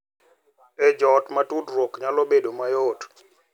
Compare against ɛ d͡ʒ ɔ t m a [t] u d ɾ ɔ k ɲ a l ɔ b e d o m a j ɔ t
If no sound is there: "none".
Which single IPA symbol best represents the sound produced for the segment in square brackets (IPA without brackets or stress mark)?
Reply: t